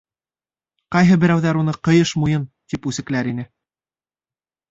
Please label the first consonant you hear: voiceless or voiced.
voiceless